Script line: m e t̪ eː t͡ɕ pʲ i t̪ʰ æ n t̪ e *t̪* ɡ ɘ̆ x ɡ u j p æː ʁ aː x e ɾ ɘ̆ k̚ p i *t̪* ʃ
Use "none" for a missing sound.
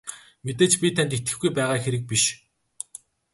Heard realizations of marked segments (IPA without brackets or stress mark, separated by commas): t̪, none